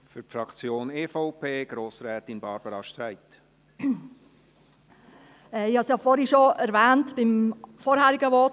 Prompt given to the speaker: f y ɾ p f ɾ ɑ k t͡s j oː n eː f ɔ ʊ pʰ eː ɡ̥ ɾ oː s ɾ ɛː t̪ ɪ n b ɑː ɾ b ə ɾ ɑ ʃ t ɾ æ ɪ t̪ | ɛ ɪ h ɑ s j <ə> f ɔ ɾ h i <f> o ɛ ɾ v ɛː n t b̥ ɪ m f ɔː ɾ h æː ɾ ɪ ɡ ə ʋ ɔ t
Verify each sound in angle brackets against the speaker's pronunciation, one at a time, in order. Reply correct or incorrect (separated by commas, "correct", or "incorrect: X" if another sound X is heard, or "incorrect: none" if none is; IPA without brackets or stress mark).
incorrect: ɑ, incorrect: ʃ